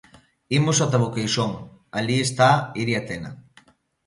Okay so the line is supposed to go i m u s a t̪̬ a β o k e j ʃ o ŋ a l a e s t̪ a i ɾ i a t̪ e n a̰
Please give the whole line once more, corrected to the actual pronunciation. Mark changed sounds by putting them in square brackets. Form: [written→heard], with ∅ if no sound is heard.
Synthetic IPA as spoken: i m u s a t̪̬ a β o k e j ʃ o ŋ a l [a→i] e s t̪ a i ɾ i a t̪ e n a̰